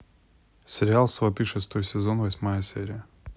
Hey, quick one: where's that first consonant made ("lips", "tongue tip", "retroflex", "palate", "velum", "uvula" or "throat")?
tongue tip